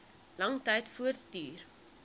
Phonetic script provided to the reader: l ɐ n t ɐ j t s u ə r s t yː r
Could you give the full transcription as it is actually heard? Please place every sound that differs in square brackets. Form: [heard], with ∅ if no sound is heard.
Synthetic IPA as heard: l ɐ [ŋ] t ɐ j t [f] u ə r [t] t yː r